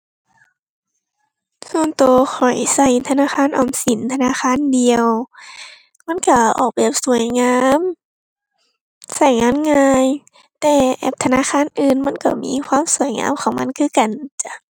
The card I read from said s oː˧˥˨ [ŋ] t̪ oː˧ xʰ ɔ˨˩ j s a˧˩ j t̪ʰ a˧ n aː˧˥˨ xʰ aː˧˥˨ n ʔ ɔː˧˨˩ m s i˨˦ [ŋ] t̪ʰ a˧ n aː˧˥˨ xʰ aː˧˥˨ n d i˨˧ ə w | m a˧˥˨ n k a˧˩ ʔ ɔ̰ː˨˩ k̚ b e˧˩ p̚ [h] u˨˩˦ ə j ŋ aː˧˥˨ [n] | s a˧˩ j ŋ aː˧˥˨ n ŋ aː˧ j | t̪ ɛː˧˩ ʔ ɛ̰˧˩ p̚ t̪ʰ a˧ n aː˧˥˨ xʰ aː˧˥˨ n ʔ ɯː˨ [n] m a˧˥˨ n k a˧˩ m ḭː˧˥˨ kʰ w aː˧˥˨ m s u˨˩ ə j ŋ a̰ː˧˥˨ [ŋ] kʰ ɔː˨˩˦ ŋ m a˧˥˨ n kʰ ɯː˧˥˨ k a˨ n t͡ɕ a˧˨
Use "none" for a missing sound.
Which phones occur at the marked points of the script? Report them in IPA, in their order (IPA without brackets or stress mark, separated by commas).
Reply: n, n, s, m, n, m